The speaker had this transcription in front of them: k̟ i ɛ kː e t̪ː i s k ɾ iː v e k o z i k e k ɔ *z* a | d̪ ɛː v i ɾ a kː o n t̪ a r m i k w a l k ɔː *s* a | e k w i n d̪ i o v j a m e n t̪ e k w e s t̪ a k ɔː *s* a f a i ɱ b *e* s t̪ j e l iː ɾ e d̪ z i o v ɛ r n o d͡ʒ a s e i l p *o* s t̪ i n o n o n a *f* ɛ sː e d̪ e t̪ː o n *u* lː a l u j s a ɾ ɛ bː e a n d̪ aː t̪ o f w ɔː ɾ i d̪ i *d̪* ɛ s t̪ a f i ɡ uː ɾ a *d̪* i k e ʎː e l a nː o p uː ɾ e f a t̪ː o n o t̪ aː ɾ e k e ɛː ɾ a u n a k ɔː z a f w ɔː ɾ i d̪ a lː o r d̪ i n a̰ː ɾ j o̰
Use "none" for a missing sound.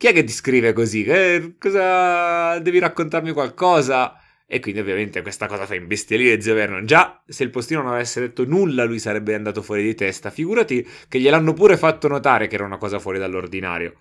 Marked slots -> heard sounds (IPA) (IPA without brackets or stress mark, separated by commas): z, z, z, e, o, v, u, t̪, t̪